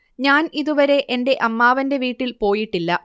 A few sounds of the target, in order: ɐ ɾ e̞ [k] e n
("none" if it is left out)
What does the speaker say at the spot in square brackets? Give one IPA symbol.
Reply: ʔ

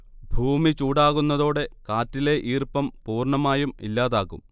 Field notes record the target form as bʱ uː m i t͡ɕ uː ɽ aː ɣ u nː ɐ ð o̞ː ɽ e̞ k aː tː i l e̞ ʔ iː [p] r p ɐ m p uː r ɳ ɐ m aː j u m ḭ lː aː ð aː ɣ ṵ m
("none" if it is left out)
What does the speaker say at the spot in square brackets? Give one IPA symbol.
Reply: none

